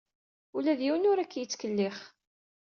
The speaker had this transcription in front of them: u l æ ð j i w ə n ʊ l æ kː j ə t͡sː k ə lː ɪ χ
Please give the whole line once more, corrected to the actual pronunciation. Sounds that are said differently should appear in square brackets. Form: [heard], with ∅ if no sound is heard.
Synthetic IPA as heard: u l æ ð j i w ə n ʊ [ɾ] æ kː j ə t͡sː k ə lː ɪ χ